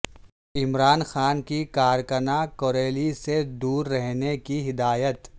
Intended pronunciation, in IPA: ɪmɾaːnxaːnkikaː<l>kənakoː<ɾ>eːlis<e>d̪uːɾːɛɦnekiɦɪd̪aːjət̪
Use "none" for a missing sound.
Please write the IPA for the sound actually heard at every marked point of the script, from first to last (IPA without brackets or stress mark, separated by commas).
ɾ, ɾ, e